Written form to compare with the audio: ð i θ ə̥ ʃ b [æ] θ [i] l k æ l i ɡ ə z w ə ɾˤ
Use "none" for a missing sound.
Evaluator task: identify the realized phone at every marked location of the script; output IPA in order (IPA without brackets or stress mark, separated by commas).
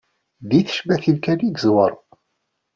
æ, i